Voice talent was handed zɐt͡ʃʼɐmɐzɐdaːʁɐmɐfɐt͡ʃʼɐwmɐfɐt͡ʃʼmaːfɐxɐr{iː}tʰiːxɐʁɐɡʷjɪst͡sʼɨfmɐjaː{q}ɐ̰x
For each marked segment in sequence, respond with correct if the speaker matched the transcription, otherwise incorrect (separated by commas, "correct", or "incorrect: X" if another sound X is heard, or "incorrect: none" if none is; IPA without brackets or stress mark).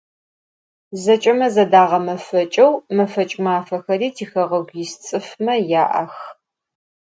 correct, incorrect: ʔ